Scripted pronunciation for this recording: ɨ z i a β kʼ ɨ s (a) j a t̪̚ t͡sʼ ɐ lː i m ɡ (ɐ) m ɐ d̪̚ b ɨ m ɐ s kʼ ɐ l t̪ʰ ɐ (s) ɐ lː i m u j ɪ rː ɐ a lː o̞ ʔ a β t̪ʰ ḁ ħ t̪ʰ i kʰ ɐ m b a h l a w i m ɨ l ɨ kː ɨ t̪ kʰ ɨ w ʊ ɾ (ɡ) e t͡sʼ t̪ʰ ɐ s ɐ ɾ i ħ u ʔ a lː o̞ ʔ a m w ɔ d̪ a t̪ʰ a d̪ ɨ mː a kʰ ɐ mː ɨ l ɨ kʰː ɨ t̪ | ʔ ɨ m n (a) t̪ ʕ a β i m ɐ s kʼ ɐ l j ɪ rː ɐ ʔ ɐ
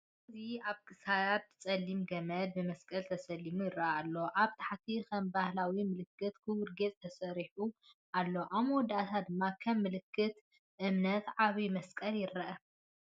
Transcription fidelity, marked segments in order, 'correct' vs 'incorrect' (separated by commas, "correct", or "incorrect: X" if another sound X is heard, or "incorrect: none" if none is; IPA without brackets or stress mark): correct, correct, correct, correct, incorrect: ɐ